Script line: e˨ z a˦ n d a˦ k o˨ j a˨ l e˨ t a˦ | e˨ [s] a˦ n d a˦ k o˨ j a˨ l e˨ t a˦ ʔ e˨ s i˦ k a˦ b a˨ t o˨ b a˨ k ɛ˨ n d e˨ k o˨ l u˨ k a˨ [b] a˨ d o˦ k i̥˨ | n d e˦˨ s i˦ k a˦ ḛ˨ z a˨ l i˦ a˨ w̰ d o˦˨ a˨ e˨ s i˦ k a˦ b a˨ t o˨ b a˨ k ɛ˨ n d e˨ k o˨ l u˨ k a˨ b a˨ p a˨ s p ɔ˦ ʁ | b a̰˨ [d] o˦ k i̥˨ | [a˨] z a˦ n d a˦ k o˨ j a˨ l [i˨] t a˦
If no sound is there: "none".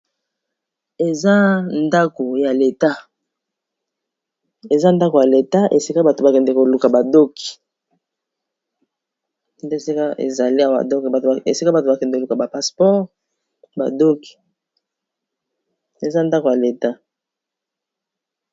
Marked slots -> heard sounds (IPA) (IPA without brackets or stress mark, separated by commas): z, b, d, e˨, e˨